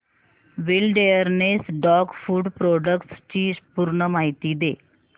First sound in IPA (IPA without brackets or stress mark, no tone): ʋ